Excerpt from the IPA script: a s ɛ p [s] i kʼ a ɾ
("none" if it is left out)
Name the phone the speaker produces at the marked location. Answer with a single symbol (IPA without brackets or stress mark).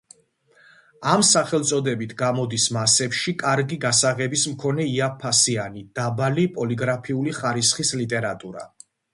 ʃ